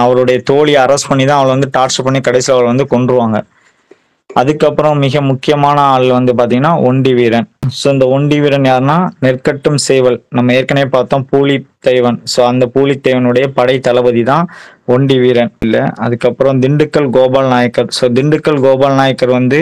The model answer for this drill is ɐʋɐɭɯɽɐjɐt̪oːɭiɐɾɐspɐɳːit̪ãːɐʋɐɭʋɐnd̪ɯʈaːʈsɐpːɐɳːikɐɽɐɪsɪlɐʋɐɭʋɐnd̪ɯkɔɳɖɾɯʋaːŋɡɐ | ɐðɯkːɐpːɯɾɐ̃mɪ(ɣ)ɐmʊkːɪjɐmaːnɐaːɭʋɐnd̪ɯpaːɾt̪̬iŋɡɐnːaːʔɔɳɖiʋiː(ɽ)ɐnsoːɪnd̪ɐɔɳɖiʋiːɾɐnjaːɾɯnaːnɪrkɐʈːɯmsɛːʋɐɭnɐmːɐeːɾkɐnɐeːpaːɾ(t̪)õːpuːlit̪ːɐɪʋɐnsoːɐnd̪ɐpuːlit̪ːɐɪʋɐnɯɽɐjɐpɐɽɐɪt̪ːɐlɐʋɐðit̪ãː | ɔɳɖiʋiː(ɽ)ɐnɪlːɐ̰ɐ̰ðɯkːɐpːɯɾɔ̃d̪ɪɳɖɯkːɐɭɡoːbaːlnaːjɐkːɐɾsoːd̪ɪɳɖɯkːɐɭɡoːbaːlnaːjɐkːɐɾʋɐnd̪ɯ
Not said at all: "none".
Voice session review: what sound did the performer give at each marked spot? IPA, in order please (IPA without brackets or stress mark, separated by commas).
ɣ, ɾ, t̪, ɾ